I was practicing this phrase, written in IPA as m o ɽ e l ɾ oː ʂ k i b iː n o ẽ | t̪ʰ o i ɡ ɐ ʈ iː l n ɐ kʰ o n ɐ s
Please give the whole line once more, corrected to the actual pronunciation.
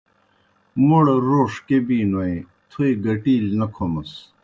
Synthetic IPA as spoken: m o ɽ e ɾ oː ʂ k e b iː n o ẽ | t̪ʰ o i ɡ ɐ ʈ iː l n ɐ kʰ o m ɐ s

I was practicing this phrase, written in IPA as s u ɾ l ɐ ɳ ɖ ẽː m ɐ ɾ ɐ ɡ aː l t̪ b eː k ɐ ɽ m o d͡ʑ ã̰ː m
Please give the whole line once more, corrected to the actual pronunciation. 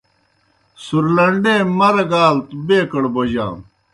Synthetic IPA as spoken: s u ɾ l ɐ ɳ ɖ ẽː m ɐ ɾ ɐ ɡ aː l t̪ b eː k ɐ ɽ b o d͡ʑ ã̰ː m

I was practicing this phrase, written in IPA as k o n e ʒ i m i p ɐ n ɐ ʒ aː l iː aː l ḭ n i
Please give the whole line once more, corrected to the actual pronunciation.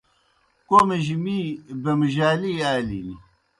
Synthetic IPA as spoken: k o m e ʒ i m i b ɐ m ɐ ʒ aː l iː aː l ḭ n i

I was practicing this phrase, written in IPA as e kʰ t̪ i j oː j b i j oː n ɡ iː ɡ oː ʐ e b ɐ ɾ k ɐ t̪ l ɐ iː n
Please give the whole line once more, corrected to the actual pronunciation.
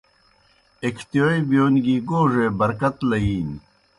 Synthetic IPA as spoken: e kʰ t̪ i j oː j b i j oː n ɡ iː ɡ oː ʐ e b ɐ ɾ k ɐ t̪ l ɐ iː n

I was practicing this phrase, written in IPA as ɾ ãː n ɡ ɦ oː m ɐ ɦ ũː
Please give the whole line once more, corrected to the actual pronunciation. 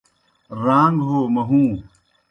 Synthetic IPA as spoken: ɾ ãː ŋ ɡ ɦ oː m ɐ ɦ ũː

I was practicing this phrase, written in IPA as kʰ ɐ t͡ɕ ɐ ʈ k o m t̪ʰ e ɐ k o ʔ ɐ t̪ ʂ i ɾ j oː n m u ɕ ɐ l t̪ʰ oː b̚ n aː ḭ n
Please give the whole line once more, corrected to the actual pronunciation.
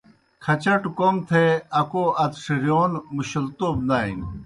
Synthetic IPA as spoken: kʰ ɐ t͡ɕ ɐ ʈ k o m t̪ʰ e ɐ k o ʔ ɐ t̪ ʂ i ɾ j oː n m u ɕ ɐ l t̪ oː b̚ n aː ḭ n

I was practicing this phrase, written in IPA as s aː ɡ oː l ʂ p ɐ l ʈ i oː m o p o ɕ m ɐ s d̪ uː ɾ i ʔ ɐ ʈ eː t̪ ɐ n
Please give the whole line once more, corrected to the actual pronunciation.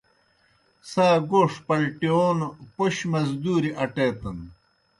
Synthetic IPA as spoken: s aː ɡ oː ʂ p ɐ l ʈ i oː n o p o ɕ m ɐ z d̪ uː ɾ i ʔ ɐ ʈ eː t̪ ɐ n

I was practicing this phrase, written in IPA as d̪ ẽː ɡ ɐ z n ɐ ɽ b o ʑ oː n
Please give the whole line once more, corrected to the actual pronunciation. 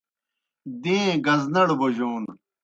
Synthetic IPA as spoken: d̪ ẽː ɡ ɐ z n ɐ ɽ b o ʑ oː n

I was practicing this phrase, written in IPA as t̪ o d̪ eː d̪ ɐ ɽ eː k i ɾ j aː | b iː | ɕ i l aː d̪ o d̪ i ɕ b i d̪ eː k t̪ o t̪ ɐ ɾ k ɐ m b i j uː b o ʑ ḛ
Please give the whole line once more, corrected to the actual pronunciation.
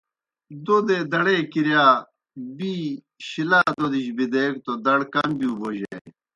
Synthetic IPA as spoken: d̪ o d̪ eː d̪ ɐ ɽ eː k i ɾ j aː | b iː | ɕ i l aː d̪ o d̪ i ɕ b i d̪ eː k t̪ o d̪ ɐ ɽ k ɐ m b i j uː b o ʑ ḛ

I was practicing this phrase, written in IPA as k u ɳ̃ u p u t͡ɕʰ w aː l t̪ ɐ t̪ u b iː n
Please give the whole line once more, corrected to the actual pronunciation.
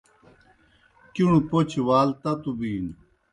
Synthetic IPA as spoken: k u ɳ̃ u p o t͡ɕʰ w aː l t̪ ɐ t̪ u b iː n

